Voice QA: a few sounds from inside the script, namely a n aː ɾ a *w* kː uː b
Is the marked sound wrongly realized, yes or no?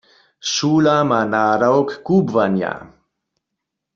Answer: no